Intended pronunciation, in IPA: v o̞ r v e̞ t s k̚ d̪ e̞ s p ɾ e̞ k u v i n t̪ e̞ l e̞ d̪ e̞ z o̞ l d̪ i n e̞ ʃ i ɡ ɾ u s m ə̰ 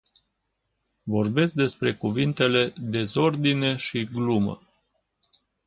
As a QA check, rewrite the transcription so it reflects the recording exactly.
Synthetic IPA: v o̞ r b e̞ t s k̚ d̪ e̞ s p ɾ e̞ k u v i n t̪ e̞ l e̞ d̪ e̞ z o̞ r d̪ i n e̞ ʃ i ɡ l u m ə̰